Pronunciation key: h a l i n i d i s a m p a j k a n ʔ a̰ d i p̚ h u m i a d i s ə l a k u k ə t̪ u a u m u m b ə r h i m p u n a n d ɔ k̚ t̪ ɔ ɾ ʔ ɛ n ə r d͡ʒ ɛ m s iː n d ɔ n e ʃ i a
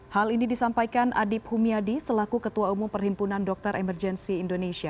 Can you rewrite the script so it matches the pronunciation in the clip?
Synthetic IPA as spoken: h a l i n i d i s a m p a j k a n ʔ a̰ d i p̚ h u m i a d i s ə l a k u k ə t̪ u a u m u m p ə r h i m p u n a n d ɔ k̚ t̪ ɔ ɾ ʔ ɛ m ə r d͡ʒ ɛ n s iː n d o n e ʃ i a